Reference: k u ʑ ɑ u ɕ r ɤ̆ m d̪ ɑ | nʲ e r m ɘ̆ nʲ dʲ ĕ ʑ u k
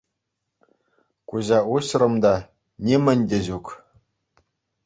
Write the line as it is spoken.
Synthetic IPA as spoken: k u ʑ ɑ u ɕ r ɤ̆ m d̪ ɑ | nʲ e m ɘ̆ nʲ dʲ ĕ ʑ u k